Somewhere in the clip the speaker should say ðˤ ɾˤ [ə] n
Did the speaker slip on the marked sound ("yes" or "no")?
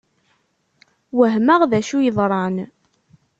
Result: yes